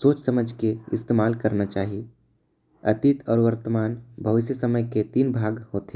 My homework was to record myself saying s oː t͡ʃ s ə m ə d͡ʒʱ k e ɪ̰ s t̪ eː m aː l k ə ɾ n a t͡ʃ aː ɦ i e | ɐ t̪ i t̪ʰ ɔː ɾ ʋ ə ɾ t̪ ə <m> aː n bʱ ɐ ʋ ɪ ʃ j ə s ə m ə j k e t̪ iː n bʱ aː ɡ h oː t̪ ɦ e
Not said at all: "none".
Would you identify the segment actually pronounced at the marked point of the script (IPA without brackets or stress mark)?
m